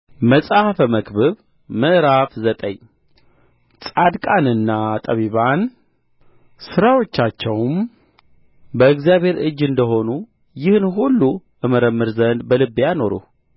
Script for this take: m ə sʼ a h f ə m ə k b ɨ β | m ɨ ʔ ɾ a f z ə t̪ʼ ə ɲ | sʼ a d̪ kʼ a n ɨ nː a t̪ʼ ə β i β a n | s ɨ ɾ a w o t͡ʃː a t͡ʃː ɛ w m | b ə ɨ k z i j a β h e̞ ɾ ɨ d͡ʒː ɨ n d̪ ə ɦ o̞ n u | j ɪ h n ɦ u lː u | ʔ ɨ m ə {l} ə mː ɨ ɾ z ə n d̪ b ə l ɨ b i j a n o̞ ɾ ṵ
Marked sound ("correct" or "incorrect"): incorrect